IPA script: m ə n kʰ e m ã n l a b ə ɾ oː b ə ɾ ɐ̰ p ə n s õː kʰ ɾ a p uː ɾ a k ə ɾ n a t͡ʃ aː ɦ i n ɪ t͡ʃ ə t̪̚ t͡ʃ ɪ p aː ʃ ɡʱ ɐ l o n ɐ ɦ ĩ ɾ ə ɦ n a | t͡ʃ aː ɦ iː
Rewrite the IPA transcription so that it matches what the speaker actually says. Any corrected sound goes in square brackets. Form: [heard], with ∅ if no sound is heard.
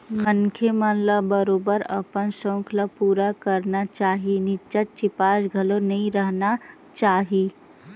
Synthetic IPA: m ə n kʰ e m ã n l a b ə ɾ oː b ə ɾ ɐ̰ p ə n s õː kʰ [l] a p uː ɾ a k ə ɾ n a t͡ʃ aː ɦ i n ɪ t͡ʃ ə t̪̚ t͡ʃ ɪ p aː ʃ ɡʱ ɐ l o n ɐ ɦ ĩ ɾ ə ɦ n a | t͡ʃ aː ɦ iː

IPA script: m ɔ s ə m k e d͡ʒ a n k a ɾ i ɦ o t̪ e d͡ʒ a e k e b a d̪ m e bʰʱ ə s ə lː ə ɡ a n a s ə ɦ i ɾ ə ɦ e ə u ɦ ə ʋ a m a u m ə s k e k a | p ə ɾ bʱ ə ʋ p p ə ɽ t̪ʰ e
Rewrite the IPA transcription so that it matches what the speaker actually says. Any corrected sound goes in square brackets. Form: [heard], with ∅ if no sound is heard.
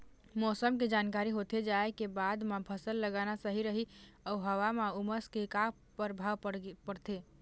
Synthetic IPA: m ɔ s ə m k e d͡ʒ a n k a ɾ i ɦ o t̪ e d͡ʒ a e k e b a d̪ m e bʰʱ ə s ə lː ə ɡ a n a s ə ɦ i ɾ ə ɦ [i] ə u ɦ ə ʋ a m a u m ə s k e k a | p ə ɾ bʱ [a] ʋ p p ə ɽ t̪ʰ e

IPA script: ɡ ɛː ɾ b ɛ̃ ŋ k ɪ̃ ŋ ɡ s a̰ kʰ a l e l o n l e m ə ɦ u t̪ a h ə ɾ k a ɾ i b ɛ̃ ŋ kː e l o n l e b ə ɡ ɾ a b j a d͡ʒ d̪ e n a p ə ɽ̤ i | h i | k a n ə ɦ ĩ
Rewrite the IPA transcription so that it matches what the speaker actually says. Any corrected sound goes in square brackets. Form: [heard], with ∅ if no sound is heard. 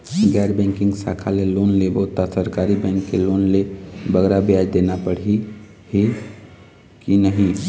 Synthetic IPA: ɡ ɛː ɾ b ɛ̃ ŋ k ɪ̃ ŋ ɡ s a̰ kʰ a l e l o n l e [b] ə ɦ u t̪ a [s] ə ɾ k a ɾ i b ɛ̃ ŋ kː e l o n l e b ə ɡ ɾ a b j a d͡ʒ d̪ e n a p ə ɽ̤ i | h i | k [i] n ə ɦ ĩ

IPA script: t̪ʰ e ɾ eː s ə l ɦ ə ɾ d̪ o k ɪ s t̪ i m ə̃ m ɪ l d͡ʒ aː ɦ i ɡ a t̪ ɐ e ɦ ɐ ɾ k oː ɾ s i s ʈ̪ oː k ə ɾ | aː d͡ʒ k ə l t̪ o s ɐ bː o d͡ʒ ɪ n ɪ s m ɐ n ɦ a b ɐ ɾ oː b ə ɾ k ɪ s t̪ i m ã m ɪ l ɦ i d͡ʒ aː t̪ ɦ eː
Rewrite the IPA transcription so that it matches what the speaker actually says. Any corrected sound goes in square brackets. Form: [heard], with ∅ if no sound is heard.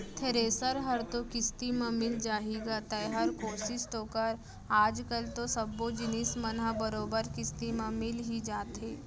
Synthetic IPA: t̪ʰ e ɾ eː s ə [ɾ] ɦ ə ɾ [t̪] o k ɪ s t̪ i m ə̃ m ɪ l d͡ʒ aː ɦ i ɡ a t̪ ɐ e ɦ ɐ ɾ k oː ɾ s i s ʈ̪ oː k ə ɾ | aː d͡ʒ k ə l t̪ o s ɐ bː o d͡ʒ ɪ n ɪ s m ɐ n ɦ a b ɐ ɾ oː b ə ɾ k ɪ s t̪ i m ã m ɪ l ɦ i d͡ʒ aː t̪ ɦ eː

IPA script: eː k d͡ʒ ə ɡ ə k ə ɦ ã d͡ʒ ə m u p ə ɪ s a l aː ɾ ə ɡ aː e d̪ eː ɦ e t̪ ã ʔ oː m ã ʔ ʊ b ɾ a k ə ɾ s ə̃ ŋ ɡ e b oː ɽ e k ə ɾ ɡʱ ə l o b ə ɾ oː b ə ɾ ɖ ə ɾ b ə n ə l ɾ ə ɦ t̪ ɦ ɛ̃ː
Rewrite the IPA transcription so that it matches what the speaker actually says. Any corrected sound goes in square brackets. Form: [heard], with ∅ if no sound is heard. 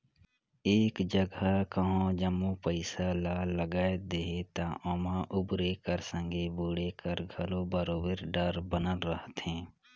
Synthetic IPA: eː k d͡ʒ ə ɡ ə k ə ɦ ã d͡ʒ ə m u p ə ɪ s a l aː [l] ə ɡ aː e d̪ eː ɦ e t̪ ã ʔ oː m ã ʔ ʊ b ɾ [e] k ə ɾ s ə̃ ŋ ɡ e b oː ɽ e k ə ɾ ɡʱ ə l o b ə ɾ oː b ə ɾ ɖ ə ɾ b ə n ə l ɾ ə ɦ t̪ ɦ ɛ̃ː

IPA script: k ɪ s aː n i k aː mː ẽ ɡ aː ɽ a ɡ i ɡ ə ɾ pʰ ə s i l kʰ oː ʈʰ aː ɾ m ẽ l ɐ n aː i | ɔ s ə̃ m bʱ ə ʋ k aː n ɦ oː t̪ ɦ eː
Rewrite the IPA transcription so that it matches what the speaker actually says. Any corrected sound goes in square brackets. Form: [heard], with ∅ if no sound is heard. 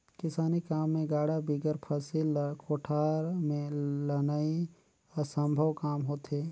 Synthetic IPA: k ɪ s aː n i k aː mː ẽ ɡ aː ɽ a [b] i ɡ ə ɾ pʰ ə s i l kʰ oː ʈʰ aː ɾ m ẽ l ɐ n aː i | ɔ s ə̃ m bʱ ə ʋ k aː [m] ɦ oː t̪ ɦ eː

